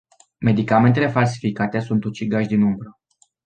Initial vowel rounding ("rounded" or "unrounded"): unrounded